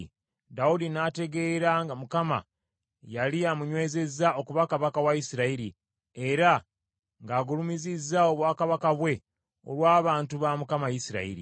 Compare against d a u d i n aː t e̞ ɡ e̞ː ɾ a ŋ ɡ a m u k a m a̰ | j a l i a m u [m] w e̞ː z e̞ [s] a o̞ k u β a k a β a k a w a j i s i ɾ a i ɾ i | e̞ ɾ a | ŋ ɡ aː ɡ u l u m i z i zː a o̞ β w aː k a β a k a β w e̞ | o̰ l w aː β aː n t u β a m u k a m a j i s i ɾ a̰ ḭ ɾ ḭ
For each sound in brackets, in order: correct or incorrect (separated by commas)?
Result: incorrect, incorrect